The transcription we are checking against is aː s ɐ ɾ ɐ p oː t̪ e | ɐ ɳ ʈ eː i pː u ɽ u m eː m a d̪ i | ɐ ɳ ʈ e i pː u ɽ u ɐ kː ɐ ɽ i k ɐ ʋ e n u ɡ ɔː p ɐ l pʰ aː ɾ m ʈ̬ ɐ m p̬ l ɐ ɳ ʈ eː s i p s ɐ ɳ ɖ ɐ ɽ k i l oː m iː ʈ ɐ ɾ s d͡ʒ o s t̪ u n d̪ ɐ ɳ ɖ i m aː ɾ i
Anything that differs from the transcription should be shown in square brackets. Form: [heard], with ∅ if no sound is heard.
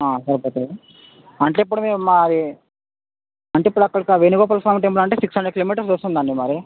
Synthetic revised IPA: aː s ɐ ɾ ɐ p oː t̪ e | ɐ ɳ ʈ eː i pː u ɽ u m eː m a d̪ i | ɐ ɳ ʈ e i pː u ɽ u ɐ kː ɐ ɽ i k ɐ ʋ e n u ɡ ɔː p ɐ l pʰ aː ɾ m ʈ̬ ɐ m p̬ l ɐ ɳ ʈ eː s i [k] s ɐ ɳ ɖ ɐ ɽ k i l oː m iː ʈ ɐ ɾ s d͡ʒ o s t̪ u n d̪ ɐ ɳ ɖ i m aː ɾ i